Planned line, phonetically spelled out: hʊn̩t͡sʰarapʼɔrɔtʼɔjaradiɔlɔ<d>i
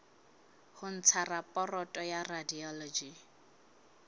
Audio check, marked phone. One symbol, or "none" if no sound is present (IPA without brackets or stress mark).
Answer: d͡ʒ